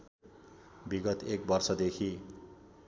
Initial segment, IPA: b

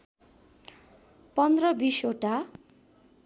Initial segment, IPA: p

